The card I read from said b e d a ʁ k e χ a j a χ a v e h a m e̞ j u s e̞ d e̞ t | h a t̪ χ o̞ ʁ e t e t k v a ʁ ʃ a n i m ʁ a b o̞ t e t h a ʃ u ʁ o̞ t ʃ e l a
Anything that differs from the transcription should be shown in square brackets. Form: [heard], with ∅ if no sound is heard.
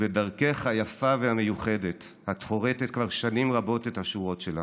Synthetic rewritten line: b e d a ʁ k e χ a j a [f] a v e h a m e̞ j u [χ] e̞ d e̞ t | h a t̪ χ o̞ ʁ e t e t k v a ʁ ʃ a n i m ʁ a b o̞ t e t h a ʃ u ʁ o̞ t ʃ e l a